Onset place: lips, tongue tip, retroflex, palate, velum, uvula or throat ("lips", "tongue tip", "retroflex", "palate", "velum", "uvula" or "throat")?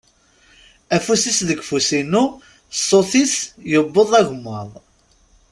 lips